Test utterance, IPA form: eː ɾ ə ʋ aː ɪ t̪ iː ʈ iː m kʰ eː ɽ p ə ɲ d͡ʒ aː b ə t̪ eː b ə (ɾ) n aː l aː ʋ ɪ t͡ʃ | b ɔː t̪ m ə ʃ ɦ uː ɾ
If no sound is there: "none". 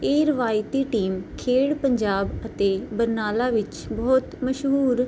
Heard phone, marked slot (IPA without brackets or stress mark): ɾ